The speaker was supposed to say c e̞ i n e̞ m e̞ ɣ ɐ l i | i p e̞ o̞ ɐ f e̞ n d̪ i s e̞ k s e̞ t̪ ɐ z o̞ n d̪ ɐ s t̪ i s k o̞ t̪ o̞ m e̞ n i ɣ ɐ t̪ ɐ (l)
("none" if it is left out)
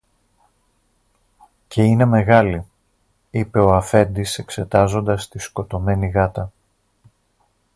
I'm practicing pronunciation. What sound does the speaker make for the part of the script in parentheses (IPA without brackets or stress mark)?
none